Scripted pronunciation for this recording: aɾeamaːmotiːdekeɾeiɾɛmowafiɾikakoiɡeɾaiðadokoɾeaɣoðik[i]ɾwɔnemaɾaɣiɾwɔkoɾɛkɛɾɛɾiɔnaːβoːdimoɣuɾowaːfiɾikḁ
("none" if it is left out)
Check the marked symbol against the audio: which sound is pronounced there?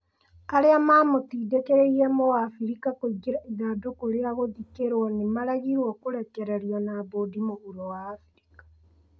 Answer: e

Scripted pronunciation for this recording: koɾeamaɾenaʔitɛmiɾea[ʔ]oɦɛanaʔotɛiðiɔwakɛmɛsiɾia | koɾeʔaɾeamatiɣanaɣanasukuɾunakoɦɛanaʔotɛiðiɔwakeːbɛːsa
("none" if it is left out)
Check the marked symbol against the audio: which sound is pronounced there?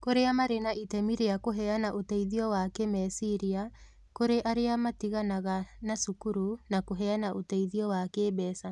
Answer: k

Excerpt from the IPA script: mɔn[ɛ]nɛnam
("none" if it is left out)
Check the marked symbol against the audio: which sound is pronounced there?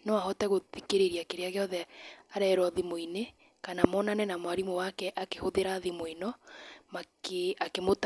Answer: a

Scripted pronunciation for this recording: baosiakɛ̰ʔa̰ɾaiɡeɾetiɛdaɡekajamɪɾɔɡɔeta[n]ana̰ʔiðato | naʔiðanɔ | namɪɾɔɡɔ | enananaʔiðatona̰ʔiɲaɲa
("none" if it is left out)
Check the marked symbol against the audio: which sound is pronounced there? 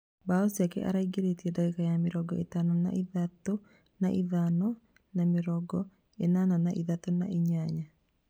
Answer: n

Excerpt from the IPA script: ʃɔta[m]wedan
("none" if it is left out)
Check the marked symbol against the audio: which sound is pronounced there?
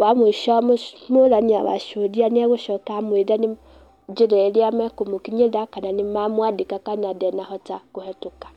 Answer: m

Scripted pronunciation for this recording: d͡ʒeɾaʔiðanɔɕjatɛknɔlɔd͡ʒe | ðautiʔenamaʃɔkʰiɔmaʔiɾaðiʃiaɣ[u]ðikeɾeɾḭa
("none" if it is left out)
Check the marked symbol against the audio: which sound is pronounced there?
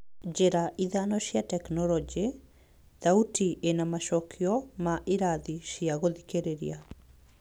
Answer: o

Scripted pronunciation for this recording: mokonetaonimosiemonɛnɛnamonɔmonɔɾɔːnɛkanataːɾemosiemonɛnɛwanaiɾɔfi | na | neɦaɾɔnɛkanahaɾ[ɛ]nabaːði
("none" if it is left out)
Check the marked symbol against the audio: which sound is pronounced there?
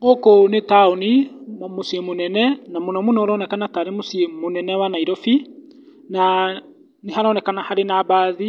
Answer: e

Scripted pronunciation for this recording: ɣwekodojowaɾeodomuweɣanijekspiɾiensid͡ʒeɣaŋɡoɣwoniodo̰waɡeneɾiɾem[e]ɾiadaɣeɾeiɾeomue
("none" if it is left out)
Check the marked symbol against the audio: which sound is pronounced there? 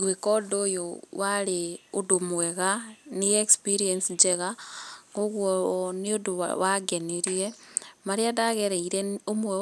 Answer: a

